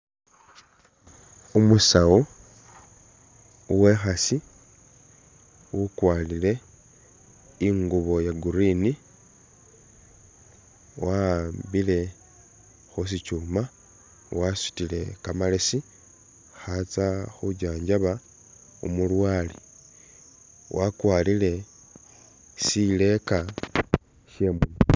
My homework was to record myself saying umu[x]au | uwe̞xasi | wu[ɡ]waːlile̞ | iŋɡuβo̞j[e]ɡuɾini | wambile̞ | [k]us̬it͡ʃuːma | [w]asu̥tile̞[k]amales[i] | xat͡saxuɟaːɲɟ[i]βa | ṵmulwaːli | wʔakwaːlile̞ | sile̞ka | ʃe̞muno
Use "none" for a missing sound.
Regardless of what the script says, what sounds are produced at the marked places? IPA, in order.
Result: s, k, a, x, w, k, i, a

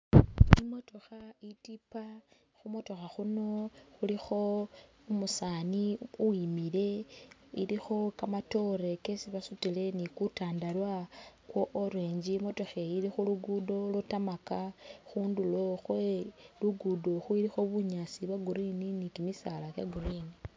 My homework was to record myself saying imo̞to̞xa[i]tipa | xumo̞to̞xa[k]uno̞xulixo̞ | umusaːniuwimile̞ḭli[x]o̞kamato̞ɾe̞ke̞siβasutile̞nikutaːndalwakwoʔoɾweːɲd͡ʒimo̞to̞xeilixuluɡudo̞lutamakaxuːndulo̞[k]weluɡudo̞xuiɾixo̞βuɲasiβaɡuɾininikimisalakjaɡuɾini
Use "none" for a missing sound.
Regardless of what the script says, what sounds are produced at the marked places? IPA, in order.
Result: i, x, x, x

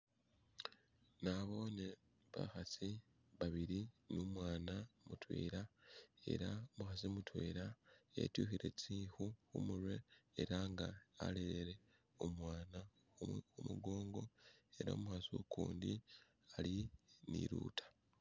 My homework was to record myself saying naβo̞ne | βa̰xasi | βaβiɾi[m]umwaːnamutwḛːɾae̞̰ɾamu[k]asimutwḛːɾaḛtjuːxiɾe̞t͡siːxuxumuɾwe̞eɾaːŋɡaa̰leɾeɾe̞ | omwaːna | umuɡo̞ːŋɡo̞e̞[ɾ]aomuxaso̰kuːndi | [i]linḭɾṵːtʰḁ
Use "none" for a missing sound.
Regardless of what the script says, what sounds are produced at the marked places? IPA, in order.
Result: n, x, ɾ, a

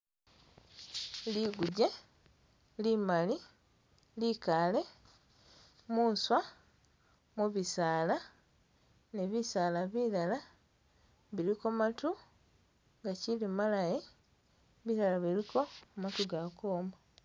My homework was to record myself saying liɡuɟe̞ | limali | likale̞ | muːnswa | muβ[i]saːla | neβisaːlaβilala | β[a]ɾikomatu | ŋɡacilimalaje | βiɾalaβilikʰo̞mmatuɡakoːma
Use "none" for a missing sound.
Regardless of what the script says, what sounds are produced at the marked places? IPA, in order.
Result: i, i

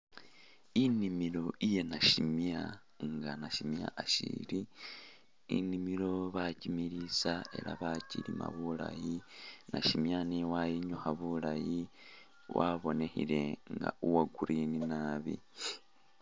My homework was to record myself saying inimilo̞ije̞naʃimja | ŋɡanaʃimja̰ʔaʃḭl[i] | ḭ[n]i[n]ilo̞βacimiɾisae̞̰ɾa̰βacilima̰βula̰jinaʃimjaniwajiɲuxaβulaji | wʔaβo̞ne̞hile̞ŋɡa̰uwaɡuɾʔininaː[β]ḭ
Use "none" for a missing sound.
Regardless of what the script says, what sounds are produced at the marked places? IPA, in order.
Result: i, n, m, β

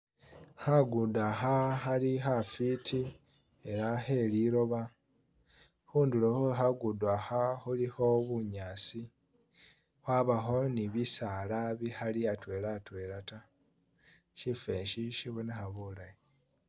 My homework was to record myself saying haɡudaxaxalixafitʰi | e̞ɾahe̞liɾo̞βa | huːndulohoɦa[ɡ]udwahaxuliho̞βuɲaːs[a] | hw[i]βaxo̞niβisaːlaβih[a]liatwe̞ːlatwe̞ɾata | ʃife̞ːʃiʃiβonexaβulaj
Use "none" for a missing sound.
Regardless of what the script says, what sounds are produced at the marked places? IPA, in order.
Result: ɡ, i, a, a

